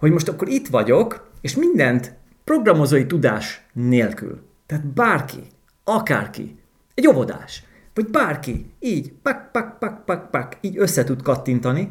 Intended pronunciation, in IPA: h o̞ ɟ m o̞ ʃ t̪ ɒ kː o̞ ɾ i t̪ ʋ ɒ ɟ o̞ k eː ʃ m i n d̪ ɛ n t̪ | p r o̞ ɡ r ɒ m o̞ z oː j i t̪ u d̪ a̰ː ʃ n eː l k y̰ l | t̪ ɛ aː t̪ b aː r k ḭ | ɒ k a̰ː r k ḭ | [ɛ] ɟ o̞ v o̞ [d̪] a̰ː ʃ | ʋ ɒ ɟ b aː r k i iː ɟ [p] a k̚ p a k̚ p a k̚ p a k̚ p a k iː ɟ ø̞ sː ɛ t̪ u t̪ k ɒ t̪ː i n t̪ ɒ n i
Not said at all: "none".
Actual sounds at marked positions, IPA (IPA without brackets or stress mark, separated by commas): ɛ, d̪, p